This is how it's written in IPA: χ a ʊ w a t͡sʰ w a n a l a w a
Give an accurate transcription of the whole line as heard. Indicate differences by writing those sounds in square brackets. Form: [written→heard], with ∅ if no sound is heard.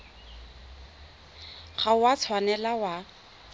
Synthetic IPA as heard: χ a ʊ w a t͡sʰ w a n [a→ɛ] l a w a